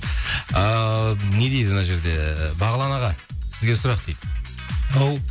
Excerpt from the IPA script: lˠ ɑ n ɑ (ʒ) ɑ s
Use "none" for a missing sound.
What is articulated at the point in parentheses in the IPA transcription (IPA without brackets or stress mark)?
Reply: ʁ